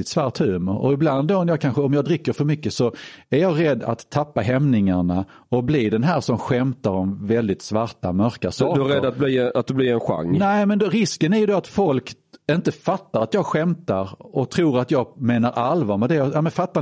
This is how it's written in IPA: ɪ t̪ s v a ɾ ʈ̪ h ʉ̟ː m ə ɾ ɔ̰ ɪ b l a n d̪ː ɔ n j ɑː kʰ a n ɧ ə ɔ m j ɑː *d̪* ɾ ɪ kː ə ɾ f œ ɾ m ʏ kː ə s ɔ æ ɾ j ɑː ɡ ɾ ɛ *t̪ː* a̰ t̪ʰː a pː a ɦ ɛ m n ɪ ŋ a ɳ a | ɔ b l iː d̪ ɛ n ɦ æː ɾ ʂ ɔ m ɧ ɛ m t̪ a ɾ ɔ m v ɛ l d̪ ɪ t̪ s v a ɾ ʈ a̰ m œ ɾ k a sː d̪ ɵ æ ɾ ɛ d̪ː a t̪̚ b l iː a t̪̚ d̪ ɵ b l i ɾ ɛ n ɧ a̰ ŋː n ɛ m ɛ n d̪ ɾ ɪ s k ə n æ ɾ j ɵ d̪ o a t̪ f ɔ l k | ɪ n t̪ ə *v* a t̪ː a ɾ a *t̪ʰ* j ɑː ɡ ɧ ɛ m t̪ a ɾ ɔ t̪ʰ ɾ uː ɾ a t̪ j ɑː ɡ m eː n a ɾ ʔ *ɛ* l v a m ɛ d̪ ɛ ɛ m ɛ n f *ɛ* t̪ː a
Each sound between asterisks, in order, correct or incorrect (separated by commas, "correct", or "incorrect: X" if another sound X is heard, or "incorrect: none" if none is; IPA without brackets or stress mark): correct, incorrect: d̪ː, incorrect: f, incorrect: t̪, incorrect: a, incorrect: a